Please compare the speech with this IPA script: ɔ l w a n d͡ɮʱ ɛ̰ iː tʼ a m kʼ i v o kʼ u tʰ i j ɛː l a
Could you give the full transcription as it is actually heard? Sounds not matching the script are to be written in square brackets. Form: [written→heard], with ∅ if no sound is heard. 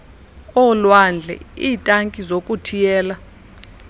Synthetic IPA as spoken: ɔ l w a n d͡ɮʱ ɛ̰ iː tʼ a [m→ŋ] kʼ i [v→z] o kʼ u tʰ i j ɛː l a